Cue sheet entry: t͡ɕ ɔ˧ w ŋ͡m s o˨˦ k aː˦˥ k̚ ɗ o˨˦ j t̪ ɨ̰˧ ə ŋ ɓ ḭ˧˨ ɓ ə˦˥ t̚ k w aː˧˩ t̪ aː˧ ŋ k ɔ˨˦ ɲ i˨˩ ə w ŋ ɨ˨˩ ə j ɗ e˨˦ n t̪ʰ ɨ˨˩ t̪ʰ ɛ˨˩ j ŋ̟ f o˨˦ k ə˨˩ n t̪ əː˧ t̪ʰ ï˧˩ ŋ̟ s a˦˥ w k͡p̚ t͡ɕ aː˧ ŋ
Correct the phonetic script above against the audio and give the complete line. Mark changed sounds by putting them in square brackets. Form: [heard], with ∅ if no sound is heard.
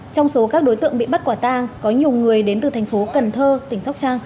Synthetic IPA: t͡ɕ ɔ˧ w ŋ͡m s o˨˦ k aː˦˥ k̚ ɗ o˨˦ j t̪ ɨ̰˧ ə ŋ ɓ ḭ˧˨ ɓ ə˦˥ t̚ k w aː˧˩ t̪ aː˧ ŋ k ɔ˨˦ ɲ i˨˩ ə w ŋ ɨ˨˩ ə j ɗ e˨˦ n [t̪] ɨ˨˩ t̪ʰ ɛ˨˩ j ŋ̟ f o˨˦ k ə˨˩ n [t̪ʰ] əː˧ [t̪] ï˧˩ ŋ̟ s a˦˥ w k͡p̚ t͡ɕ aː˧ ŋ